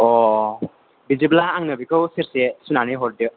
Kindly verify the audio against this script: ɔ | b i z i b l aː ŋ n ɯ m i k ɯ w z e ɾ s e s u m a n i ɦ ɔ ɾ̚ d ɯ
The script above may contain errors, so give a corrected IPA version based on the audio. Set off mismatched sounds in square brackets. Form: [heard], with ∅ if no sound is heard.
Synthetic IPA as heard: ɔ | b i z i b l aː ŋ n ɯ [b] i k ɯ w [s] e ɾ s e s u [n] a n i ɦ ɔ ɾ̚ d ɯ